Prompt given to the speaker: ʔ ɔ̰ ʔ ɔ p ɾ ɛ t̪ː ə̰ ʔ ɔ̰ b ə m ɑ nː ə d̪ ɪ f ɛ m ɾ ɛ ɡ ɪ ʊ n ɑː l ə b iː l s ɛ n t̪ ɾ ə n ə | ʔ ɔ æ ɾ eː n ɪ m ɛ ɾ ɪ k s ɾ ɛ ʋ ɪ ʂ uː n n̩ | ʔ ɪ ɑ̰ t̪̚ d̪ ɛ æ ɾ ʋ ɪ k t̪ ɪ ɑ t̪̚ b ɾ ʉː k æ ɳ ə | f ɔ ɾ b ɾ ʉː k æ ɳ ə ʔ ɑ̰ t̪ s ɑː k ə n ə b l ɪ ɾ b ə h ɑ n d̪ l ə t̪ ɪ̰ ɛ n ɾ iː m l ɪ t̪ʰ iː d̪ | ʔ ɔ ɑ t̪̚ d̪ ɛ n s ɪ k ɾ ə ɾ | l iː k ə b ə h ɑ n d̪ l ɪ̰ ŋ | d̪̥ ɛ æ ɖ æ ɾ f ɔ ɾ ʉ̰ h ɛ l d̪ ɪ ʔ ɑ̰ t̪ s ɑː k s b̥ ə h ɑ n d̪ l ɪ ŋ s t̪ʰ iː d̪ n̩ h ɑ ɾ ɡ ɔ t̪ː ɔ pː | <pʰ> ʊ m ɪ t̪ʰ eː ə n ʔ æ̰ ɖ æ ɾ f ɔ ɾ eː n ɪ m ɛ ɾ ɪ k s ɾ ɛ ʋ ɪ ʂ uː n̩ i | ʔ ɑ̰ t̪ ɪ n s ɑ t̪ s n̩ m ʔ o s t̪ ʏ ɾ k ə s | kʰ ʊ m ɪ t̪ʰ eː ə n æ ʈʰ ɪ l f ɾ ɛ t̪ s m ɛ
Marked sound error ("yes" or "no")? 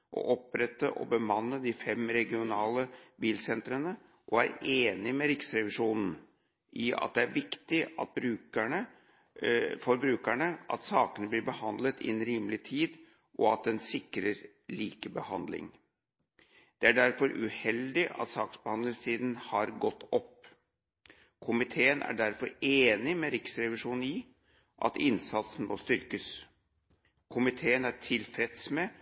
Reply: yes